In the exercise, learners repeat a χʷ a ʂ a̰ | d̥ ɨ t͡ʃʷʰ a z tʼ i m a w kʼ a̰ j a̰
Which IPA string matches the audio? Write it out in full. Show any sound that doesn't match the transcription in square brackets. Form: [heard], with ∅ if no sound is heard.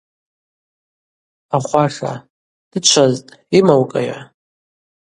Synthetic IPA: a χʷ a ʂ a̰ | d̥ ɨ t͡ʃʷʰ a z tʼ i m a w kʼ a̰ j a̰